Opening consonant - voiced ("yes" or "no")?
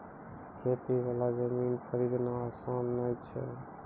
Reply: no